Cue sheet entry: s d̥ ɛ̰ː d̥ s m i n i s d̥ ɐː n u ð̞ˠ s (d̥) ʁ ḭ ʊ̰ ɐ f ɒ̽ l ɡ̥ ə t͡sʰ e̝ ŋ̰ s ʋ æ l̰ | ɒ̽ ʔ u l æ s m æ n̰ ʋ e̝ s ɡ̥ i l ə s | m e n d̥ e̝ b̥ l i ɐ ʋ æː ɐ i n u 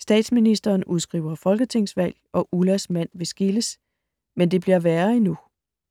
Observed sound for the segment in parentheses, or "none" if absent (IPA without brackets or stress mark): ɡ̥